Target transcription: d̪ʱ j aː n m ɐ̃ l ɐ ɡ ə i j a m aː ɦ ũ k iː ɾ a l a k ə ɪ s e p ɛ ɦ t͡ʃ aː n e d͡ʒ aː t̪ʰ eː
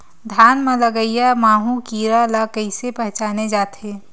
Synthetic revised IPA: d̪ʱ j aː n m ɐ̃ l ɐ ɡ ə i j a m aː ɦ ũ k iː ɾ a l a k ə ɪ s e p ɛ ɦ t͡ʃ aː n e d͡ʒ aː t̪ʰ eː